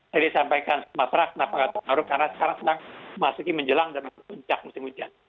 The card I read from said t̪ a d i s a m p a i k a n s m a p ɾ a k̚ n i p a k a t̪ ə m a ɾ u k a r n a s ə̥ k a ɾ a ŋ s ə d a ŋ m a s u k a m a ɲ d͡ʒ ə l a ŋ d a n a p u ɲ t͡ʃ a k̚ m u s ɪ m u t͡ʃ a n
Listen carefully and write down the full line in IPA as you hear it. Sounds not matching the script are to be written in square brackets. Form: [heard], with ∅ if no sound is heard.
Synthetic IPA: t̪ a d i s a m p a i k a n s m a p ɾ a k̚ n [a] p a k a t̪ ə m a ɾ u k a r n a s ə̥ k a ɾ a ŋ s ə d a ŋ m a s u k [i] m [ə] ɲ d͡ʒ ə l a ŋ d a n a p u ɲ t͡ʃ a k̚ m u s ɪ m u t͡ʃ a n